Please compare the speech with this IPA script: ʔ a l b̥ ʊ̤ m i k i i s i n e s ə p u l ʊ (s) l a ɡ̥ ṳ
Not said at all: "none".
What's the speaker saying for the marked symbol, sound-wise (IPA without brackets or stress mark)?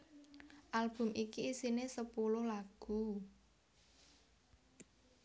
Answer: h